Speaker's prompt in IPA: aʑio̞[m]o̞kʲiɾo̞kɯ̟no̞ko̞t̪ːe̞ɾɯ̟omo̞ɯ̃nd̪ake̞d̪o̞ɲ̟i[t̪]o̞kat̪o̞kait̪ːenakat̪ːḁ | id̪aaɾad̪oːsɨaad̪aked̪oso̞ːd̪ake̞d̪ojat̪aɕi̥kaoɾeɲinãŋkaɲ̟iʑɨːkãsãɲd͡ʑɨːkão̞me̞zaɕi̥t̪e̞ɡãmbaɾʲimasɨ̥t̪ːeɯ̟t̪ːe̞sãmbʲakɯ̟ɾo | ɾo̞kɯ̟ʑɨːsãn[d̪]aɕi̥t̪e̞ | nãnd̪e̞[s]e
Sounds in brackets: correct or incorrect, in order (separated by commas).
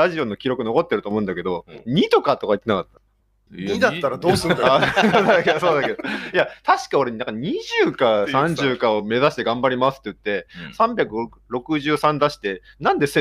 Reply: incorrect, correct, correct, correct